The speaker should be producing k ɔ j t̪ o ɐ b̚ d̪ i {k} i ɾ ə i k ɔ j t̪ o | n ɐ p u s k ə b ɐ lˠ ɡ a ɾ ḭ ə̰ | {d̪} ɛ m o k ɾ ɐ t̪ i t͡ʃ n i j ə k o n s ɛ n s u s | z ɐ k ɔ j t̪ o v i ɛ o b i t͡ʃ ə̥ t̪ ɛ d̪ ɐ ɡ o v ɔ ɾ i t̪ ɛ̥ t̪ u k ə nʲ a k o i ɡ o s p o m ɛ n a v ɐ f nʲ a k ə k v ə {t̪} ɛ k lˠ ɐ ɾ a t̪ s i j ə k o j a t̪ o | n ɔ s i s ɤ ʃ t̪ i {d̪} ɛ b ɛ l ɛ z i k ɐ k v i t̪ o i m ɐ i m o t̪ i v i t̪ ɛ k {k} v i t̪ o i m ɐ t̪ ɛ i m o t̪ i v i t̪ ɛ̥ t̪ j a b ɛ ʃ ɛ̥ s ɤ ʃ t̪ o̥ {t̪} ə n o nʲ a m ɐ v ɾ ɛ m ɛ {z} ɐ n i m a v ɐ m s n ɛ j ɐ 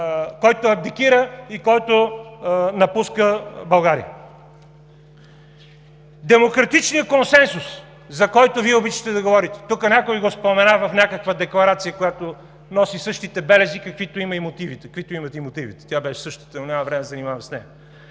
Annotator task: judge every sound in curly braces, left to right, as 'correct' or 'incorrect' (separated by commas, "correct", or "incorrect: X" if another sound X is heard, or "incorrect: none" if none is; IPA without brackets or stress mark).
correct, correct, incorrect: d̪, incorrect: t̪, correct, correct, correct